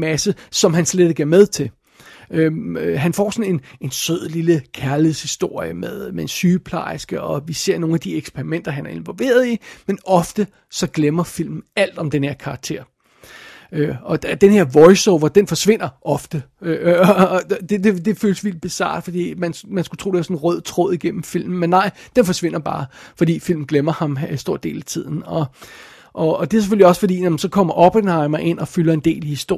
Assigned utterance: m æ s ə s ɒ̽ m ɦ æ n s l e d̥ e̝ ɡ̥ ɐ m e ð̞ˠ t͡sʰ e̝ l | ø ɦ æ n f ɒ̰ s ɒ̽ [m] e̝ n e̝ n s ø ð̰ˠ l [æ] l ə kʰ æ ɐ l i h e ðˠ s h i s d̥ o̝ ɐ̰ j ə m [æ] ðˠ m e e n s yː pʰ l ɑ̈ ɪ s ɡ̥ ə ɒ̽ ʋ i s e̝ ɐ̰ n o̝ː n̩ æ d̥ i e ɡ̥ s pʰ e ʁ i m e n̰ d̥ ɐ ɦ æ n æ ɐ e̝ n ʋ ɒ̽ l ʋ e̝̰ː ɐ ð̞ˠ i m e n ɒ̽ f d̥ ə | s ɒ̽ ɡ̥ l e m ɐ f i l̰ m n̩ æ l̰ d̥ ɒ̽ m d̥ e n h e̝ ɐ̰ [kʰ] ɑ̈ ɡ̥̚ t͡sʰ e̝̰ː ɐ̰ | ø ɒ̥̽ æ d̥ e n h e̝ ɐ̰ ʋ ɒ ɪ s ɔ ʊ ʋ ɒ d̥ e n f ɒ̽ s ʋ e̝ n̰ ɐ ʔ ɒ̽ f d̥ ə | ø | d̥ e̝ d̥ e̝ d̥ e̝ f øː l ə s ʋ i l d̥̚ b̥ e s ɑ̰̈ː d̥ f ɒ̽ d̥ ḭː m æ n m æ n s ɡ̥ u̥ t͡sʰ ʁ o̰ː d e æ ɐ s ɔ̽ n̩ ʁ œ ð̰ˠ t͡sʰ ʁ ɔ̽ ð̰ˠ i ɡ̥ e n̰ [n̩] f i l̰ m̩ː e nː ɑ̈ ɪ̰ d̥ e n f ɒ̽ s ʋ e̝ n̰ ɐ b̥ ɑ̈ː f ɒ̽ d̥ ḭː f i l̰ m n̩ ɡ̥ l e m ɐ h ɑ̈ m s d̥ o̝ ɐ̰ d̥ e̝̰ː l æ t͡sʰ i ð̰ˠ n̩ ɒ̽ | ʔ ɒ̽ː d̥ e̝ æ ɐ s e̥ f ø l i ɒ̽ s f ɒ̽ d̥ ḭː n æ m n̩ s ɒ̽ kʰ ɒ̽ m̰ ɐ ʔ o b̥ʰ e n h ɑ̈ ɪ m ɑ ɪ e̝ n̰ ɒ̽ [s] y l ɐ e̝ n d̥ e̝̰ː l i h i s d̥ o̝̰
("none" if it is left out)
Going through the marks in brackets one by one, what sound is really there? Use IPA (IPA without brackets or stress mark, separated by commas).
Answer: n, i, e, kʰ, m̩, f